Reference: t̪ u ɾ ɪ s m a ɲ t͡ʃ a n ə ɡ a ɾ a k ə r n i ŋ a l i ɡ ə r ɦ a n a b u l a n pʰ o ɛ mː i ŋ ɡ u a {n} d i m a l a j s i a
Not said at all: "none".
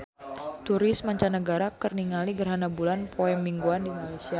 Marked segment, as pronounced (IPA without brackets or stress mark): n